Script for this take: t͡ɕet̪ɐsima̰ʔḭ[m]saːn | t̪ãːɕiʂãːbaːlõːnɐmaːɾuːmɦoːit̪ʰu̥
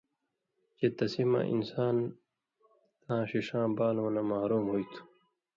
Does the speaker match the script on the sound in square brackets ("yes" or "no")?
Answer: no